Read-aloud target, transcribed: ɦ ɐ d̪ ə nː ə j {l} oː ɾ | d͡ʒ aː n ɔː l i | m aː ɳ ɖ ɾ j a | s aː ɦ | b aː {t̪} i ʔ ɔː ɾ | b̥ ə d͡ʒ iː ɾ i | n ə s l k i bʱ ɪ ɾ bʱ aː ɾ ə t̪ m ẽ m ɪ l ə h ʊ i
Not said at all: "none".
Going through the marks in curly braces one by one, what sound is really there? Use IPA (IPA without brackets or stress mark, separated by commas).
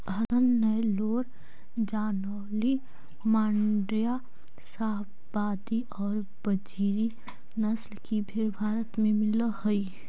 l, d̪